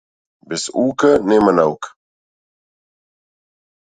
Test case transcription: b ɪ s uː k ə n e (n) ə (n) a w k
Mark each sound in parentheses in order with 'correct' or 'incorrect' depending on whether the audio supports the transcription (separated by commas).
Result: incorrect, correct